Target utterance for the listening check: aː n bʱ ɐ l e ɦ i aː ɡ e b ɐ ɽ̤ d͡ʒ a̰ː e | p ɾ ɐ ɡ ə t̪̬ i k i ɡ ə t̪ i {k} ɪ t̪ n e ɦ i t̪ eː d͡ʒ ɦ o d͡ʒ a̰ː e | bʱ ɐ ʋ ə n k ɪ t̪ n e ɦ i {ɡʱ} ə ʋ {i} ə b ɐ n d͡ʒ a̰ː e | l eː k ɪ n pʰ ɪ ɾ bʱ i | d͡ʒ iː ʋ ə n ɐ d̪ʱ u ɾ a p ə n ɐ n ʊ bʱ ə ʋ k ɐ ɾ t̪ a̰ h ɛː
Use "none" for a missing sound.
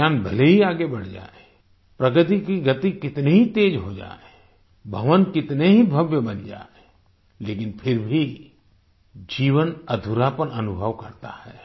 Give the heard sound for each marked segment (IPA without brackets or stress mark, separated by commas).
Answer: k, bʱ, j